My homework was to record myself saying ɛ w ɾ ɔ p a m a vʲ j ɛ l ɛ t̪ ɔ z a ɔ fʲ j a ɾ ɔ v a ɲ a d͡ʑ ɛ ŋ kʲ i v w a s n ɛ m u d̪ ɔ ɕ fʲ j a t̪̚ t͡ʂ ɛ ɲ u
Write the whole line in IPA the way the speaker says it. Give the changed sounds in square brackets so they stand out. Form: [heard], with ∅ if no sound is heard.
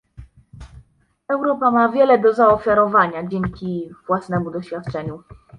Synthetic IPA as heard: ɛ w ɾ ɔ p a m a vʲ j ɛ l ɛ [d̪] ɔ z a ɔ fʲ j a ɾ ɔ v a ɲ a d͡ʑ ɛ ŋ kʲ i v w a s n ɛ m u d̪ ɔ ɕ fʲ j a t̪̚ t͡ʂ ɛ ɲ u